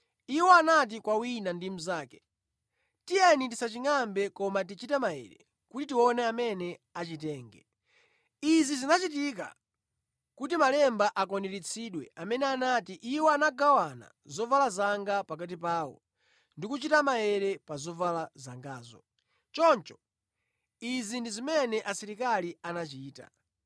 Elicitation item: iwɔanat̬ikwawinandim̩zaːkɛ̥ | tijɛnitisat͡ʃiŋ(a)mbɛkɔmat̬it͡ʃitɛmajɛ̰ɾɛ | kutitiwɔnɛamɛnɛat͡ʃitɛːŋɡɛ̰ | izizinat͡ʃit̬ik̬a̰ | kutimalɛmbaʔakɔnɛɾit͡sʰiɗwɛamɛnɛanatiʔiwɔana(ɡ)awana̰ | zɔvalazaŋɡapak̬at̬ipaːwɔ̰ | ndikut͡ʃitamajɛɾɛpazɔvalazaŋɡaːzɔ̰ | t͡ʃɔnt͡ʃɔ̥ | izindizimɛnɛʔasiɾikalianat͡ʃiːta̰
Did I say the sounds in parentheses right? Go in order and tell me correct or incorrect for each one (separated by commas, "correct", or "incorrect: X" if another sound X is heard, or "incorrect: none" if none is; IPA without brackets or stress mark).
correct, correct